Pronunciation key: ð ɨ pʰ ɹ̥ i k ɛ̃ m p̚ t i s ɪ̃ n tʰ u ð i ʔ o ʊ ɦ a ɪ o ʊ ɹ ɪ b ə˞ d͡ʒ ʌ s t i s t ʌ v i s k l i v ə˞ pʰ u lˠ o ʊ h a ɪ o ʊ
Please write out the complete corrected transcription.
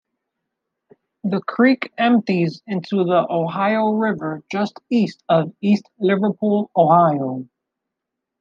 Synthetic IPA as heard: ð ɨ kʰ ɹ̥ i k ɛ̃ m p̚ t i z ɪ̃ n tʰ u ð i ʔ o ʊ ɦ a ɪ o ʊ ɹ ɪ v ə˞ d͡ʒ ʌ s t i s t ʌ v i s t l ɪ v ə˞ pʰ u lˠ o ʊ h a ɪ o ʊ